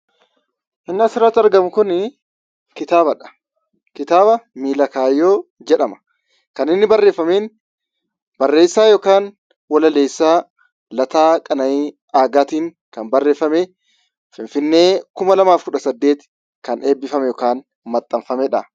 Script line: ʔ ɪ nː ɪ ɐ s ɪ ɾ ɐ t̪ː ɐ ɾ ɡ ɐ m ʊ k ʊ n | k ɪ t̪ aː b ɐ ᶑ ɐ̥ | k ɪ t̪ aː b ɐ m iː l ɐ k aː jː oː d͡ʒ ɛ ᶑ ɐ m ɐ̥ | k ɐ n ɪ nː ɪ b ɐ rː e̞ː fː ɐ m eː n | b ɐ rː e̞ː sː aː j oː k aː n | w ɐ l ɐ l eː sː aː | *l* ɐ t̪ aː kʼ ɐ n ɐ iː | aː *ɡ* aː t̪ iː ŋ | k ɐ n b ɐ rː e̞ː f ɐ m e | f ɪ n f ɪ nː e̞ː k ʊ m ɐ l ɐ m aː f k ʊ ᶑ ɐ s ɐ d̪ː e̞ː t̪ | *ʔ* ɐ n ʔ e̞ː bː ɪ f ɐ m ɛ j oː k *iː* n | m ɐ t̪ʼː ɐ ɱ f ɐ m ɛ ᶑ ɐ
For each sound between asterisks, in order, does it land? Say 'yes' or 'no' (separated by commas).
yes, yes, no, no